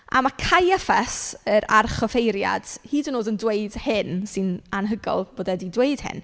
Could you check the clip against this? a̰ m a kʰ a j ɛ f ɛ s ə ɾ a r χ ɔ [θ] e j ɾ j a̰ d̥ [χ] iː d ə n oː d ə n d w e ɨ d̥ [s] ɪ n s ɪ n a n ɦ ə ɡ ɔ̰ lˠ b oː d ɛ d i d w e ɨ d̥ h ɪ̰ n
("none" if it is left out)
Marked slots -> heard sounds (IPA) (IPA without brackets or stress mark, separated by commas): f, h, h